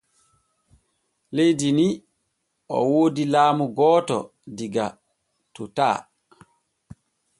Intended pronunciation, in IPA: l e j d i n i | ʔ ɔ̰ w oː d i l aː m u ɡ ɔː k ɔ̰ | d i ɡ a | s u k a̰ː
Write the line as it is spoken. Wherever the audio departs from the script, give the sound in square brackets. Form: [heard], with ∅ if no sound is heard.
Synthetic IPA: l e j d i n i | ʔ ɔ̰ w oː d i l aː m u ɡ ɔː [t] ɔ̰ | d i ɡ a | [t] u [t] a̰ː